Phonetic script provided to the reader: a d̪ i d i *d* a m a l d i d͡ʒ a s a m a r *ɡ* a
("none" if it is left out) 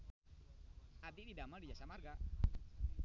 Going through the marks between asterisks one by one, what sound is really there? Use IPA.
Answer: d, ɡ

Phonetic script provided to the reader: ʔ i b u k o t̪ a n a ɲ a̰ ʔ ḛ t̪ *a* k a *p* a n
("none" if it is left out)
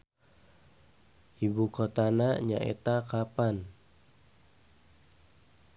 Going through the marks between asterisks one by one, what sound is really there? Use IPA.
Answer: a, p

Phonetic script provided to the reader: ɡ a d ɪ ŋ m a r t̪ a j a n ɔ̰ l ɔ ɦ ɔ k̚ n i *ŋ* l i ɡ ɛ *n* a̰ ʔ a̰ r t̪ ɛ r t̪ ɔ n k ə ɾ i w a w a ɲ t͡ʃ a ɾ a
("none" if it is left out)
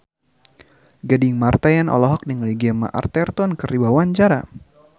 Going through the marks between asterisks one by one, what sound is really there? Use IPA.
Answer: ŋ, m

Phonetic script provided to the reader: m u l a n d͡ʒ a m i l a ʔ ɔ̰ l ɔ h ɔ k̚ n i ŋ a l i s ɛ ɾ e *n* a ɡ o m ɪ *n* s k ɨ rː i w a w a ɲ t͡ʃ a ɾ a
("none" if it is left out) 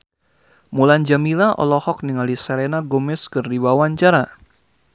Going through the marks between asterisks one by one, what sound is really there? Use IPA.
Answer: n, none

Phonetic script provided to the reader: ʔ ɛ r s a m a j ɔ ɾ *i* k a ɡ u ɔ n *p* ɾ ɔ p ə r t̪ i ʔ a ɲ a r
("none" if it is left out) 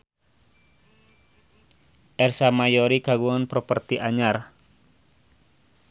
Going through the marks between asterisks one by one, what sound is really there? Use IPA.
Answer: i, p

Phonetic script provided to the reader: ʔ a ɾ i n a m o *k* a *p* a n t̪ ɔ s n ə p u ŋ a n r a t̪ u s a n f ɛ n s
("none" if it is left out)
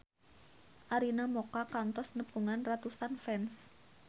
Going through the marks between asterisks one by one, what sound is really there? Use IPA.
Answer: k, k

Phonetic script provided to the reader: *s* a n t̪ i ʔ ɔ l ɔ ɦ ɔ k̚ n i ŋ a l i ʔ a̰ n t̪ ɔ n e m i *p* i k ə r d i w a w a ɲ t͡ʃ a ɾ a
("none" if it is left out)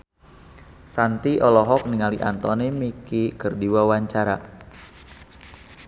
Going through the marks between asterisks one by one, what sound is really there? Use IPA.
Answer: s, k

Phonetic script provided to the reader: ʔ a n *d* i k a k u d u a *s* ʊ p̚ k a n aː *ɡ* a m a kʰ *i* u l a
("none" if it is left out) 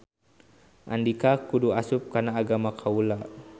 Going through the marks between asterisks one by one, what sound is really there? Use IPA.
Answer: d, s, ɡ, a

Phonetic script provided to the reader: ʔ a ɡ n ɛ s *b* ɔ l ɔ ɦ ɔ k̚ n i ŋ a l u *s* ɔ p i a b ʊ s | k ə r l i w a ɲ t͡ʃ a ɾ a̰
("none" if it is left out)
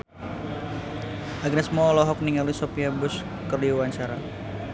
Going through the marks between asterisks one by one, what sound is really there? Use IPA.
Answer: m, s

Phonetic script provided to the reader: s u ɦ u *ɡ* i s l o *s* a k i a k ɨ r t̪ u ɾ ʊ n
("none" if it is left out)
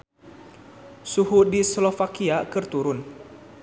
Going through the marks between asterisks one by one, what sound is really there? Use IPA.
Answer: d, f

